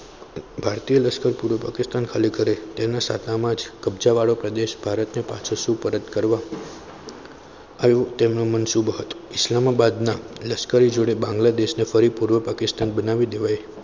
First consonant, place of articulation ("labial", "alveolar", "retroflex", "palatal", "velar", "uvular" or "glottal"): labial